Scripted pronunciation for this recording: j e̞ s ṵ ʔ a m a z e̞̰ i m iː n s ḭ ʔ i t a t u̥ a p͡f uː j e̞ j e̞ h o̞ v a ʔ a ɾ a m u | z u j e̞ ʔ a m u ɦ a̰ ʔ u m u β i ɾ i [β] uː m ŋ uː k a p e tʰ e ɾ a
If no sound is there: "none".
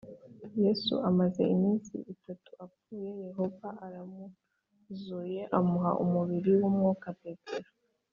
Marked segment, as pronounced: w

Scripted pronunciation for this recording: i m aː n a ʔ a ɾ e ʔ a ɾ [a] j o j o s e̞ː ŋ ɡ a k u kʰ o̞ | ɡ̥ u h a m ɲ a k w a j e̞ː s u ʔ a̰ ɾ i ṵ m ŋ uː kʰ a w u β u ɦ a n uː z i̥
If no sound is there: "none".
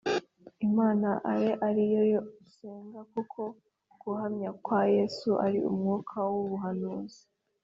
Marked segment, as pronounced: i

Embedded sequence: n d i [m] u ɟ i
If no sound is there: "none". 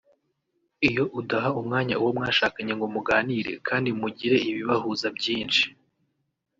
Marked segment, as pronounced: m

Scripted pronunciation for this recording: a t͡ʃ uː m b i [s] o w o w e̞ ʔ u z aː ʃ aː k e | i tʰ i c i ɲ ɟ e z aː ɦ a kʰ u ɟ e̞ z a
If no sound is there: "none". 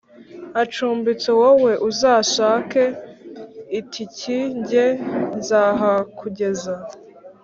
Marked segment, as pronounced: t͡s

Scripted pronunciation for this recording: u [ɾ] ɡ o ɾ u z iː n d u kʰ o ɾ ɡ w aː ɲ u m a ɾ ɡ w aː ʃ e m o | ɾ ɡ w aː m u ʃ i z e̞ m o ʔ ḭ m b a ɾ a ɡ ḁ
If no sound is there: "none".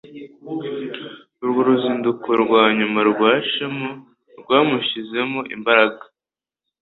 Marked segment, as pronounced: ɾ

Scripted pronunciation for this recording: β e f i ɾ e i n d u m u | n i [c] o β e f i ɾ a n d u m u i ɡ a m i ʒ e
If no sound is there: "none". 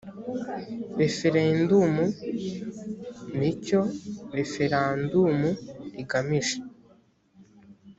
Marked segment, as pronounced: c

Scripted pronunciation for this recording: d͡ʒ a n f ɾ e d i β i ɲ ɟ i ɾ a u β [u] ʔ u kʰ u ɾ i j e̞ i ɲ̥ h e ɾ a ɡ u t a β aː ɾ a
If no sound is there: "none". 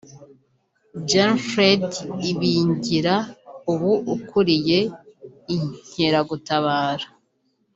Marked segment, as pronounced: u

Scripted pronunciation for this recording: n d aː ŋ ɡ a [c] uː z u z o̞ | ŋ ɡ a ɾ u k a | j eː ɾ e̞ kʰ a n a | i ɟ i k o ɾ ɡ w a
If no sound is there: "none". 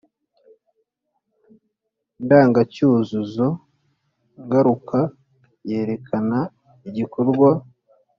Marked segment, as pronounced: c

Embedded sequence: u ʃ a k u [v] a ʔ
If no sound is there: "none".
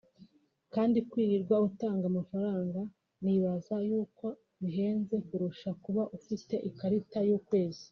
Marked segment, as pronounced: β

